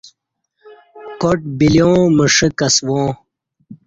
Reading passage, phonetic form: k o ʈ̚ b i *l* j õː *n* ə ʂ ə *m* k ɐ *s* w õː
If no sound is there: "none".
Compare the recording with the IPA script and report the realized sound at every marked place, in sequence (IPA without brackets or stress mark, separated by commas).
l, m, none, s